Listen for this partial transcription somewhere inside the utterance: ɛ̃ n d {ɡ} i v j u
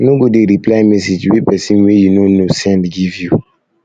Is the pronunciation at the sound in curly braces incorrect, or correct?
correct